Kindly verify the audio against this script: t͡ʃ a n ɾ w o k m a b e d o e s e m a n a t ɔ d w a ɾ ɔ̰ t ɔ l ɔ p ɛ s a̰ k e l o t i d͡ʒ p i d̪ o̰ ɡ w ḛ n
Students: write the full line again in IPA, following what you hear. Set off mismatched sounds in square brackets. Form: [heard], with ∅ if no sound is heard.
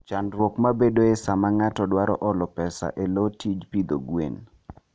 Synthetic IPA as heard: t͡ʃ a n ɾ w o k m a b e d o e s [a] m a [ŋ] a t ɔ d w a ɾ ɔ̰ [ʔ] ɔ l ɔ p ɛ s a̰ [ʔ] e l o t i d͡ʒ p i d̪ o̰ ɡ w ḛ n